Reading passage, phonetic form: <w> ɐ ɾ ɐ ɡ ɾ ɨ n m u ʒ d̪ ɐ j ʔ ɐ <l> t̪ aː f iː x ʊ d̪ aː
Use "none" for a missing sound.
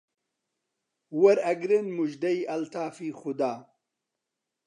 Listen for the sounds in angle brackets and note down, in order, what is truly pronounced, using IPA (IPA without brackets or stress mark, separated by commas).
w, l